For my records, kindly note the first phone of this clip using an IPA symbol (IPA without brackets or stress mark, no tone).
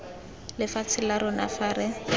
l